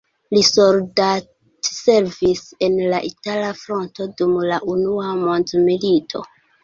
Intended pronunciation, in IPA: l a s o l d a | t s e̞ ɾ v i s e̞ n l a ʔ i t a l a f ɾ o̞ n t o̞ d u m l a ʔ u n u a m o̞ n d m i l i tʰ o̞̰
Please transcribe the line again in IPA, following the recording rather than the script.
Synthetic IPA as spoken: l i s o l d a | t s e̞ ɾ v i s e̞ n l a ʔ i t a l a f ɾ o̞ n t o̞ d u m l a ʔ u n u a m o̞ n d m i l i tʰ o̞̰